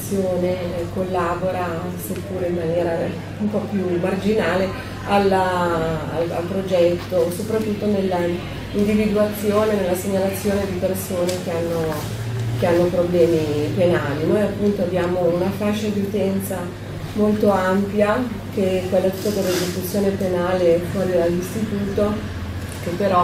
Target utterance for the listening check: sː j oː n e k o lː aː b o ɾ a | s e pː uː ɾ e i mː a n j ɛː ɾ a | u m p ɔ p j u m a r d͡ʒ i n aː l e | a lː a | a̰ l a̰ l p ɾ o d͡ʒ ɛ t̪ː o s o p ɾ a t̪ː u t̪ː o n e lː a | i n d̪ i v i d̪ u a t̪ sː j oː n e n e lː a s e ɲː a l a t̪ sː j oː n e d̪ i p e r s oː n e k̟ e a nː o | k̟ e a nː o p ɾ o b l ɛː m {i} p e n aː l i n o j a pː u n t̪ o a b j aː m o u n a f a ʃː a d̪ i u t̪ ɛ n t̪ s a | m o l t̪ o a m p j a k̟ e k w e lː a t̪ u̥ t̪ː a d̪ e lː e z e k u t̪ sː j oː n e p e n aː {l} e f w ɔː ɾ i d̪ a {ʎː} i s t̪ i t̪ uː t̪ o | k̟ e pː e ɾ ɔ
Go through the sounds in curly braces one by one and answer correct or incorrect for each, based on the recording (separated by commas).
correct, correct, incorrect